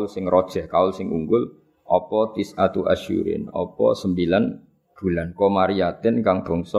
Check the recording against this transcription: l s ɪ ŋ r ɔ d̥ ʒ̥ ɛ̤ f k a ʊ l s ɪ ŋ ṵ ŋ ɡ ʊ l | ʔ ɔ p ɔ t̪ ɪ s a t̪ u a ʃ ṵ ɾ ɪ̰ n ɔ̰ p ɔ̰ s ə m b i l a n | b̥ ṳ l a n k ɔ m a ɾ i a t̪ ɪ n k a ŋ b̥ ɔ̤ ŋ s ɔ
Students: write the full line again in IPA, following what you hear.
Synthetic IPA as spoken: l s ɪ ŋ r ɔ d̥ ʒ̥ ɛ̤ h k a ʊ l s ɪ ŋ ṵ ŋ ɡ ʊ l | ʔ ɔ p ɔ t̪ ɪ s a t̪ u a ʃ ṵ ɾ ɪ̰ n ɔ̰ p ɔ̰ s ə m b i l a n | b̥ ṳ l a n k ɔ m a ɾ i a t̪ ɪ n k a ŋ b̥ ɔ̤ ŋ s ɔ